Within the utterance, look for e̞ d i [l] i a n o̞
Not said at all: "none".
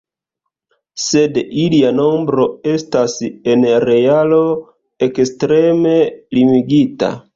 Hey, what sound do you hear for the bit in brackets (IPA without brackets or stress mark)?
l